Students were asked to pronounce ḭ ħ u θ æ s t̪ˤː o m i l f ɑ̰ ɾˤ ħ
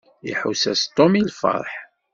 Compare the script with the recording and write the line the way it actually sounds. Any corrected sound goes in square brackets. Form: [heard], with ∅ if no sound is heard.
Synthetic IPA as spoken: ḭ ħ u [s] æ s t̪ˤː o m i l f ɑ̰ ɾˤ ħ